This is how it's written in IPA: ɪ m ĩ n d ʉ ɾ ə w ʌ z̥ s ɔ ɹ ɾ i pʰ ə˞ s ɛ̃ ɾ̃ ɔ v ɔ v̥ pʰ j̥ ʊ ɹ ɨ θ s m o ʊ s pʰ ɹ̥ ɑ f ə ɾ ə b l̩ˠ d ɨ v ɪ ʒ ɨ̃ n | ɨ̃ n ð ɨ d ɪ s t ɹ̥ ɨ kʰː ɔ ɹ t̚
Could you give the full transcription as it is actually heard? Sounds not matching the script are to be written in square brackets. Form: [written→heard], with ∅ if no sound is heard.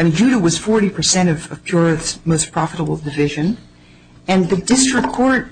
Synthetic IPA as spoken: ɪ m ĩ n [d→d͡ʒ] ʉ ɾ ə w ʌ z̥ [s→f] ɔ ɹ ɾ i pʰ ə˞ s ɛ̃ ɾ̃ [ɔ→ʌ] v [ɔ→ʌ] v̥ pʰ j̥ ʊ ɹ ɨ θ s m o ʊ s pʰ ɹ̥ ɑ f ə ɾ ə b l̩ˠ d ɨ v ɪ ʒ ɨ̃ n | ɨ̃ n ð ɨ d ɪ s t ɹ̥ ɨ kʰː ɔ ɹ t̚